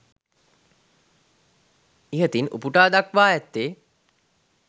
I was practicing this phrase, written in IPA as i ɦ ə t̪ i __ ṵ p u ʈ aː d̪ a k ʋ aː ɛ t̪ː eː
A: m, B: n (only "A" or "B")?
B